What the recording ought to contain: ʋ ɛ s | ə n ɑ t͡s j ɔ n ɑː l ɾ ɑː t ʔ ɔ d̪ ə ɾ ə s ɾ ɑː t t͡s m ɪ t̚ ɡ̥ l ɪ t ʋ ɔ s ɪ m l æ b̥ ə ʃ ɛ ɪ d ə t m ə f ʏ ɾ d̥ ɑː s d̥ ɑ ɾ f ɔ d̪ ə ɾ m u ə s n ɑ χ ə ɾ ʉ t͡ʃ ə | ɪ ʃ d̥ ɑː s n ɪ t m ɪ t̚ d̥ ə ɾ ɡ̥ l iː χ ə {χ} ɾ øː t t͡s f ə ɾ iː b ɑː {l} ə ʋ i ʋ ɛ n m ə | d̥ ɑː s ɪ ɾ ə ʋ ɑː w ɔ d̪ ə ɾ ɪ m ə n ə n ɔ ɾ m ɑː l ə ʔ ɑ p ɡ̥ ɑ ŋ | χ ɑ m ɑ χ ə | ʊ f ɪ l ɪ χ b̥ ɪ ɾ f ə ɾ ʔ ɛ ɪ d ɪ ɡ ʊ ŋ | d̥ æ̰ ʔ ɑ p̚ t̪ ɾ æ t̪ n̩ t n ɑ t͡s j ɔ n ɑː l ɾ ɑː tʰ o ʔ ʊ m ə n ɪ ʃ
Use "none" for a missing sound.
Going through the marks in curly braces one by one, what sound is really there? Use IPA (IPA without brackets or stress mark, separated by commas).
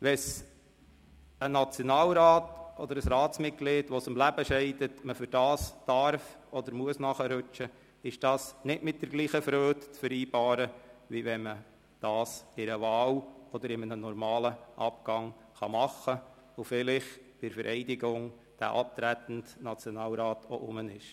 f, ɾ